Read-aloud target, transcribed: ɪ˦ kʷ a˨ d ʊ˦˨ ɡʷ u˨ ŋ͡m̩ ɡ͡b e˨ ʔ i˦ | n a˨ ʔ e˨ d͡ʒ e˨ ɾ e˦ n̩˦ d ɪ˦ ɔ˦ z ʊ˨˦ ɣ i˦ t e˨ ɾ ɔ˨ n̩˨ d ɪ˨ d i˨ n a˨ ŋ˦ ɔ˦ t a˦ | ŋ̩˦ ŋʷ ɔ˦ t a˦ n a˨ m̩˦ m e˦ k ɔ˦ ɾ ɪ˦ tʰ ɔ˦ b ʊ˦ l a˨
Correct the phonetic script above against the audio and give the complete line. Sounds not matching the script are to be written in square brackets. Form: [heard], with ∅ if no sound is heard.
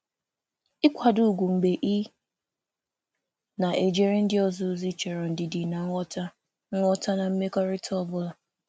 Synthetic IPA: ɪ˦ kʷ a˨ d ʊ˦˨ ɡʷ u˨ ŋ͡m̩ ɡ͡b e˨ ʔ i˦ | n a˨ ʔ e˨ d͡ʒ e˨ ɾ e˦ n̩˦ d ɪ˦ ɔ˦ z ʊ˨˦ [z] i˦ [t͡ʃ] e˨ ɾ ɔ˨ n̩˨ d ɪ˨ d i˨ n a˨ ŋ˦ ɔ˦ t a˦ | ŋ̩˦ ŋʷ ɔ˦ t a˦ n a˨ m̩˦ m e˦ k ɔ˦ ɾ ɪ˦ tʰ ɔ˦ b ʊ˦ l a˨